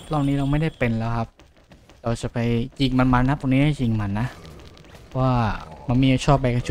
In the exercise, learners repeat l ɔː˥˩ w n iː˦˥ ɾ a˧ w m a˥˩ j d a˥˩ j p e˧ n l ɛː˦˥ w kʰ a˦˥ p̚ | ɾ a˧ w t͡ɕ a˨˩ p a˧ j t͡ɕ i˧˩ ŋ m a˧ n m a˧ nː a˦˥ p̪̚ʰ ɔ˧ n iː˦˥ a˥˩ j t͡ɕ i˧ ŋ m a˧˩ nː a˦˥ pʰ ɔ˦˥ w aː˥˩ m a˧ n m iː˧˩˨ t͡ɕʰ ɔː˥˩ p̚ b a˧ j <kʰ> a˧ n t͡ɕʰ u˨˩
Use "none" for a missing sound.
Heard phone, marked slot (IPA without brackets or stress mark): k